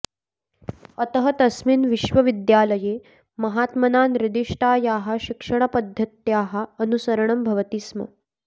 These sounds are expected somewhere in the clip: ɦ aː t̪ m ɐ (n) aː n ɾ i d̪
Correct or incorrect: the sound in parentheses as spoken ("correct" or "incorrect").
correct